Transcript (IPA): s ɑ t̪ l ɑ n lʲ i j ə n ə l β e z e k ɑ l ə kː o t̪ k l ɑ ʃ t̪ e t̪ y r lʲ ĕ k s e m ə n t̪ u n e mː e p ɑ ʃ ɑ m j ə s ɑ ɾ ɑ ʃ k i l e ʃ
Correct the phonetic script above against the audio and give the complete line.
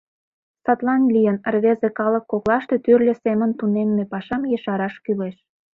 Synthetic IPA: s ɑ t̪ l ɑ n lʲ i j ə n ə r β e z e k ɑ l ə kː o k l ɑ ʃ t̪ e t̪ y r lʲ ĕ s e m ə n t̪ u n e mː e p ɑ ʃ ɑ m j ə ʃ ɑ ɾ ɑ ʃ k y l e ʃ